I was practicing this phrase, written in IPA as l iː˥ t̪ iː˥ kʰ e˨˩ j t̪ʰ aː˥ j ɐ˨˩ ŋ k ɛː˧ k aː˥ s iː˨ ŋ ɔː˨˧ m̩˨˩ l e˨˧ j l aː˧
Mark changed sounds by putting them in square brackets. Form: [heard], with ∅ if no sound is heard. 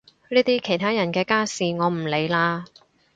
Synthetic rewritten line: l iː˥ t̪ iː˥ kʰ e˨˩ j t̪ʰ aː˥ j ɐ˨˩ [n] k ɛː˧ k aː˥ s iː˨ ŋ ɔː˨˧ m̩˨˩ l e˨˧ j l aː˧